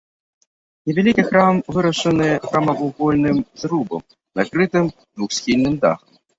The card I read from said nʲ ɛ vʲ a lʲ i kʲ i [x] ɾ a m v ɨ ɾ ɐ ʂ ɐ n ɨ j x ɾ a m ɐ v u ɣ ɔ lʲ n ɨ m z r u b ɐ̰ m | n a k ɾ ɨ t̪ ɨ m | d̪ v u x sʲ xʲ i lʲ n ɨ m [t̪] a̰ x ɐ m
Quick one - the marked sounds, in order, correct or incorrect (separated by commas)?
correct, incorrect